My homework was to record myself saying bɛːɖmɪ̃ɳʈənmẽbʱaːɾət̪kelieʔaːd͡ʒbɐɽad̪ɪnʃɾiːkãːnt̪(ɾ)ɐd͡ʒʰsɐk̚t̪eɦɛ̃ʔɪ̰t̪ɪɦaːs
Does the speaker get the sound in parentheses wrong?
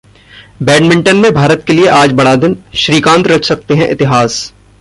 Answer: no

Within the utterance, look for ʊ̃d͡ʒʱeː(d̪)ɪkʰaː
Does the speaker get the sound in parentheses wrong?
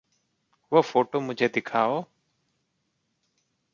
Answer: no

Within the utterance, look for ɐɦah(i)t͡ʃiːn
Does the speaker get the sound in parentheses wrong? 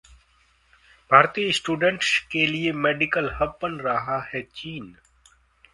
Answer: yes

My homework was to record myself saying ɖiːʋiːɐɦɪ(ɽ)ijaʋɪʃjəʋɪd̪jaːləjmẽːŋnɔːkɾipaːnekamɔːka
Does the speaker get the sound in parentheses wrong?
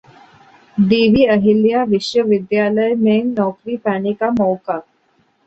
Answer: yes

